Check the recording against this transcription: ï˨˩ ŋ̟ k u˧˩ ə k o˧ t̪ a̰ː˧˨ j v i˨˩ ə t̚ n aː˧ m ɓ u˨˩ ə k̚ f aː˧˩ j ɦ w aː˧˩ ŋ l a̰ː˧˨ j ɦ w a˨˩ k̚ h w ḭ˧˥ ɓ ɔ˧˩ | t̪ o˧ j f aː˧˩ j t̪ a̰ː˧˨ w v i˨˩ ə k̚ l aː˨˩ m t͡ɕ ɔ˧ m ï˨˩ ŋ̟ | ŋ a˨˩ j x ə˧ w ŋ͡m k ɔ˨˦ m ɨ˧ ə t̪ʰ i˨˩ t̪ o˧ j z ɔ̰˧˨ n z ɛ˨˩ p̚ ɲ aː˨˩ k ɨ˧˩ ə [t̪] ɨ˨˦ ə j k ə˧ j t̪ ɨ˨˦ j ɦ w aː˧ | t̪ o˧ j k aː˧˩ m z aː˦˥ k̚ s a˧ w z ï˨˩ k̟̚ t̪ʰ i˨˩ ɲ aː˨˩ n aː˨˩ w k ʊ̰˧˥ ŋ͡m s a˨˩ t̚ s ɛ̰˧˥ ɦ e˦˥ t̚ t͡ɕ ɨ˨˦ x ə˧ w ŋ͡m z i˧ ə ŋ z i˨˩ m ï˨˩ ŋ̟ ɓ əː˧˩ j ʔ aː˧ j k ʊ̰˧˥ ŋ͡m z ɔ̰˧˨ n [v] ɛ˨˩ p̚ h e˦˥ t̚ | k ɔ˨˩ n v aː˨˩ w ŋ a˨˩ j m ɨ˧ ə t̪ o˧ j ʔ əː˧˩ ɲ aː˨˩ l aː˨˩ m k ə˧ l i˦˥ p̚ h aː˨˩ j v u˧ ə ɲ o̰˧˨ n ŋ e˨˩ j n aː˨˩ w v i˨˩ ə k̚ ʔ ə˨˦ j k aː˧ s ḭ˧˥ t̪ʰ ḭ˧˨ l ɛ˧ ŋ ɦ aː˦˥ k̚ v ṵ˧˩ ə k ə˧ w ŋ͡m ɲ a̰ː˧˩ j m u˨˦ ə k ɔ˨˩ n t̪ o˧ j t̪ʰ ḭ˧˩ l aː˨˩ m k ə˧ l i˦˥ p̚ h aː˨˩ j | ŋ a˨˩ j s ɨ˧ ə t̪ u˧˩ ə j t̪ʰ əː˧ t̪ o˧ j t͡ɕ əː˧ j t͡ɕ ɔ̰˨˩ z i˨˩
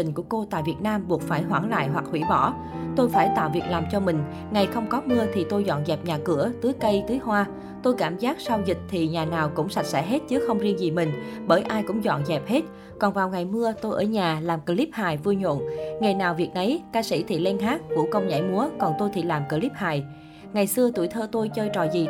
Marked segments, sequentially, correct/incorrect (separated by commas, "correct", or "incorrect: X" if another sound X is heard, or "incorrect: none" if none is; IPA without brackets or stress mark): correct, incorrect: z